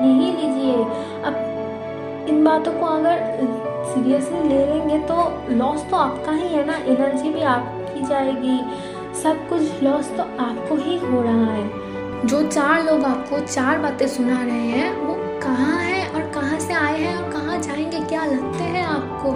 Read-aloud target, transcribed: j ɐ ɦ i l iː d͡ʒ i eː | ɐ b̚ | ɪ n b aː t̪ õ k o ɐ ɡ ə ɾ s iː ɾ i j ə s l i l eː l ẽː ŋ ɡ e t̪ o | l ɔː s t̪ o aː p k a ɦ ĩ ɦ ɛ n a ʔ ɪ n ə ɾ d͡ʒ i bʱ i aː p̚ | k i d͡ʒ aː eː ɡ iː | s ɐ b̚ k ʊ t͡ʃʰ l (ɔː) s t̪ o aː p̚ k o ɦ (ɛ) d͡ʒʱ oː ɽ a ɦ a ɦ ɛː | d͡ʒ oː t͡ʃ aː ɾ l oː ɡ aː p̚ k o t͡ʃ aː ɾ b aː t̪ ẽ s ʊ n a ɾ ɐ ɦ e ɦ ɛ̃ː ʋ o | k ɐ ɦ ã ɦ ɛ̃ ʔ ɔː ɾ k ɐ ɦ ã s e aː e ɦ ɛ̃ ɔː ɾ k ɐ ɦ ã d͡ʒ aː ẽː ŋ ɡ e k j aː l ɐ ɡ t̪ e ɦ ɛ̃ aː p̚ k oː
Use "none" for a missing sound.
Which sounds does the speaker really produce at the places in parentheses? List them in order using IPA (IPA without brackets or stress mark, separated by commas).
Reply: ɔː, i